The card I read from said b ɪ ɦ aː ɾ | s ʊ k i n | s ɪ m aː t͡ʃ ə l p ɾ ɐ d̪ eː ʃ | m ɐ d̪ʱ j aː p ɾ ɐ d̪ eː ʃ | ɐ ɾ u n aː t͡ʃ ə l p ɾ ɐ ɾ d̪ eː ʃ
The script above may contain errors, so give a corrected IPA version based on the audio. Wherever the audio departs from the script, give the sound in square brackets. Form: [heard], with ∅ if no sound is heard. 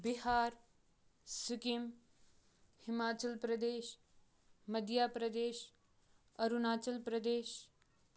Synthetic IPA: b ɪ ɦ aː ɾ | s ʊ k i [m] | [h] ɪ m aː t͡ʃ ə l p ɾ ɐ d̪ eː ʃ | m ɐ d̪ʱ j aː p ɾ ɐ d̪ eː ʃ | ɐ ɾ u n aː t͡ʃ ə l p ɾ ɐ [∅] d̪ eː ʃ

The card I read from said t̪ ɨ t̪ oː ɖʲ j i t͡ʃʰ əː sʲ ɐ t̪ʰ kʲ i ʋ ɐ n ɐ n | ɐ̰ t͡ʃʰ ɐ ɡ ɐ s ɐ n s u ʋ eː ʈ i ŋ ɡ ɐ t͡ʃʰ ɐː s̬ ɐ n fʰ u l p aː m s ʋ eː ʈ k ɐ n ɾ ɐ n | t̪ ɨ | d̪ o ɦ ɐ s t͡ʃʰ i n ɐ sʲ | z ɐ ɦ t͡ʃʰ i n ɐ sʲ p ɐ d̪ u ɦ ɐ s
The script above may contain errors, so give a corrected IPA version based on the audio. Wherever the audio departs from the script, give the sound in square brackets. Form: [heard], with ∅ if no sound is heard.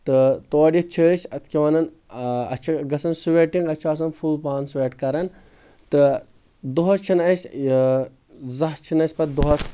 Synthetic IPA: t̪ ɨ t̪ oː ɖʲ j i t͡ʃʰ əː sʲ ɐ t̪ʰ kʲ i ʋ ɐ n ɐ n | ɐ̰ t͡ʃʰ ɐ ɡ ɐ s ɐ n s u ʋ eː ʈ i ŋ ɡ ɐ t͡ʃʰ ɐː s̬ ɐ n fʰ u l p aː [n] s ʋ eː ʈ k ɐ [∅] ɾ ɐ n | t̪ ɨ | d̪ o ɦ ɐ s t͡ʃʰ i n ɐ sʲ | z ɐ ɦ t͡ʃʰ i n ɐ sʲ p ɐ d̪ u ɦ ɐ s

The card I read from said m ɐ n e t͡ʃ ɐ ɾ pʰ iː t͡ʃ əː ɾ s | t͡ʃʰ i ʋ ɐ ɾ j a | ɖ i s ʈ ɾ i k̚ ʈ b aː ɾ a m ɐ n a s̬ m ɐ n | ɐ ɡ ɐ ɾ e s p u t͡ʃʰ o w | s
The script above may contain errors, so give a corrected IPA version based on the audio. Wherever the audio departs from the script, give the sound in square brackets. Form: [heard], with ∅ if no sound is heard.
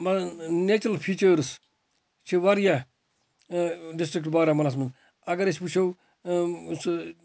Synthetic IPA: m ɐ n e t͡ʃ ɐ [l] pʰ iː t͡ʃ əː ɾ s | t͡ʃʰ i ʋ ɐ ɾ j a | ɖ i s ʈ ɾ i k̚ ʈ b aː ɾ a m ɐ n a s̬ m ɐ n | ɐ ɡ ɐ ɾ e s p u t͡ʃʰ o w | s

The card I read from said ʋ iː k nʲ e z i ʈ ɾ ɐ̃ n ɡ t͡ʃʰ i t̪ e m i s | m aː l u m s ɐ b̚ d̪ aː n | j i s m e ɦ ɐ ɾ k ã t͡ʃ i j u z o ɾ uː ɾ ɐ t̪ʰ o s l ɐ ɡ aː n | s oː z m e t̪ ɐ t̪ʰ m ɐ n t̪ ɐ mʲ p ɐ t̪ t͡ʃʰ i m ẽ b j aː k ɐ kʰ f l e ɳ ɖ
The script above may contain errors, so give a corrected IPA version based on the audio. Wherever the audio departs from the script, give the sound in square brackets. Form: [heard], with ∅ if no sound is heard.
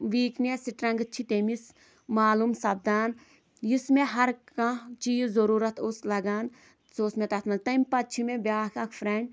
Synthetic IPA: ʋ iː k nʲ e [s] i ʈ ɾ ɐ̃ [ŋ] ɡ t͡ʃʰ i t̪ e m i s | m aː l u m s ɐ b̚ d̪ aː n | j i s m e ɦ ɐ ɾ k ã t͡ʃ i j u z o ɾ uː ɾ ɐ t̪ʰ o s l ɐ ɡ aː n | s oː [s] m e t̪ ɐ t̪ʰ m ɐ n t̪ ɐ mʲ p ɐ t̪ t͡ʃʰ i m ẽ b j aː k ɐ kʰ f [ɾ] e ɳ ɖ

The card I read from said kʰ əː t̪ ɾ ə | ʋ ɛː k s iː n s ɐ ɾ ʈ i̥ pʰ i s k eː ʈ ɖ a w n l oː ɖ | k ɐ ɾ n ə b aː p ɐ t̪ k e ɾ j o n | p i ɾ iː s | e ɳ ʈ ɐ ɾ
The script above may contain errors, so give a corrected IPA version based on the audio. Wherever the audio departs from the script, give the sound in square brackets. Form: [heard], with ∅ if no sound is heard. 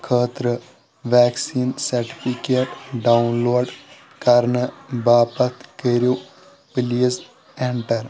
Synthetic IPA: kʰ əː t̪ ɾ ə | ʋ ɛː k s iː n s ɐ ɾ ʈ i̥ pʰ i [∅] k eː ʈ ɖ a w n l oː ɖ | k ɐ ɾ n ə b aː p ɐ t̪ k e ɾ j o [∅] | p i [l] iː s | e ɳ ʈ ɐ ɾ

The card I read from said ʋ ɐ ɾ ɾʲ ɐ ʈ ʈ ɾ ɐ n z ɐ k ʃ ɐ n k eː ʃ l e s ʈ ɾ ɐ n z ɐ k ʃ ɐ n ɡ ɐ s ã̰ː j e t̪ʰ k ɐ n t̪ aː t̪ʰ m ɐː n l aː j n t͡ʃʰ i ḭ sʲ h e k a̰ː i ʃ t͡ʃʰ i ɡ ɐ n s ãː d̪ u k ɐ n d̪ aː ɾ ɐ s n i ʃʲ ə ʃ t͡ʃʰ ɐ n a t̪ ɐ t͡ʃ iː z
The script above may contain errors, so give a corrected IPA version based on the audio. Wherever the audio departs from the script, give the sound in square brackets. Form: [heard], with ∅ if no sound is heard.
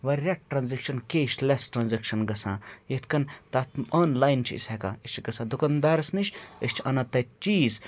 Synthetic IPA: ʋ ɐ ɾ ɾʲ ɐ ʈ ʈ ɾ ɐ n z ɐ k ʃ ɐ n k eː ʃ l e s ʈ ɾ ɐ n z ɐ k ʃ ɐ n ɡ ɐ s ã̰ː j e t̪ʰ k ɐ n t̪ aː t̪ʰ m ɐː n l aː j n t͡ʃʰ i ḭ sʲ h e k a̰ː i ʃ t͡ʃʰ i ɡ ɐ [∅] s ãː d̪ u k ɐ n d̪ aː ɾ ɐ s n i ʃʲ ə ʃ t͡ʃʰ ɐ n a t̪ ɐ t͡ʃ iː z

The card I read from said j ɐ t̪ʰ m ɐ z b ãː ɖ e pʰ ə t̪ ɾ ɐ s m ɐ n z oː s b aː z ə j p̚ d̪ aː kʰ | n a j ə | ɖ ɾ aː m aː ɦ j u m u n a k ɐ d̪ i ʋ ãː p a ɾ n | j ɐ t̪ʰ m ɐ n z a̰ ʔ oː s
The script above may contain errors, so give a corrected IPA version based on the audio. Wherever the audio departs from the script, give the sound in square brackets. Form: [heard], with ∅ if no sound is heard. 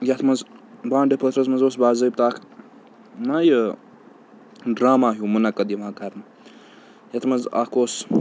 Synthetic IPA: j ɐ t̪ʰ m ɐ z b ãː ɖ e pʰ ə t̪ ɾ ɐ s m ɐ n z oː s b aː z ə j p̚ [t̪] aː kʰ | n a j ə | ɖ ɾ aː m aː ɦ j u m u n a k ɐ d̪ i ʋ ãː [k] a ɾ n | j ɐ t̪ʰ m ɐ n z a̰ [k] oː s

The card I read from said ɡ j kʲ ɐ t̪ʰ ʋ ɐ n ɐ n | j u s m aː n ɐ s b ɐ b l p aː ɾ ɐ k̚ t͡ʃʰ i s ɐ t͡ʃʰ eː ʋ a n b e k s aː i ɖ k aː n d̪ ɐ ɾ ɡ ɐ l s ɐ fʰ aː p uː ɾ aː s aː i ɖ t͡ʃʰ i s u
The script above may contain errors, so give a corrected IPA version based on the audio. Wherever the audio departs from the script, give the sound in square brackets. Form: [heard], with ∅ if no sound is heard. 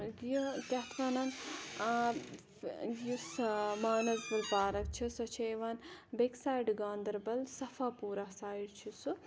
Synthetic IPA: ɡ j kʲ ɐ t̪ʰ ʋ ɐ n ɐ n | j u s m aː n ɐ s b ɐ [∅] l p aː ɾ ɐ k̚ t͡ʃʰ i s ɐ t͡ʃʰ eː ʋ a n b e k s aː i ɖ [ɡ] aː n d̪ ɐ ɾ [b] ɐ l s ɐ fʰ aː p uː ɾ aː s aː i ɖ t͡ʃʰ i s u

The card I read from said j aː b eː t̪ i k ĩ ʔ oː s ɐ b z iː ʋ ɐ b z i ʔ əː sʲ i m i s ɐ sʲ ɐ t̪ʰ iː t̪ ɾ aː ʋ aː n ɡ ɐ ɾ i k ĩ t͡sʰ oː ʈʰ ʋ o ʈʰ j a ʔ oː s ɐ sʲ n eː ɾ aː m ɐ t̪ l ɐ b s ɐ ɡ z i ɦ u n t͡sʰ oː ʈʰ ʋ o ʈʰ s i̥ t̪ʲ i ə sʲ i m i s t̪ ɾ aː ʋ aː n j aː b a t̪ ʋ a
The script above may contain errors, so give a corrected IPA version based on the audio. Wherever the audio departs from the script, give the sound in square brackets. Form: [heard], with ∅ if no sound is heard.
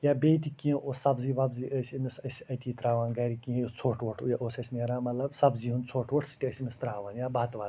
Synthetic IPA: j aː b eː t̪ i k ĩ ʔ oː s ɐ b z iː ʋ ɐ b z i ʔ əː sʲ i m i s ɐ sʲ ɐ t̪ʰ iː t̪ ɾ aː ʋ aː n ɡ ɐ ɾ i k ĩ t͡sʰ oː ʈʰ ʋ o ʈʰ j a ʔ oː s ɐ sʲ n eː ɾ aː m ɐ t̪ l ɐ b s ɐ [b] z i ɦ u n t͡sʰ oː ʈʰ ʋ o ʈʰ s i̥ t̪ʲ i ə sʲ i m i s t̪ ɾ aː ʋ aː n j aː b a t̪ ʋ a

